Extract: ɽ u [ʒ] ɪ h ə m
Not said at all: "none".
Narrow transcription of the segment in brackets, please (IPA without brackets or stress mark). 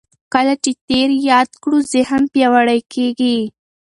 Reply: z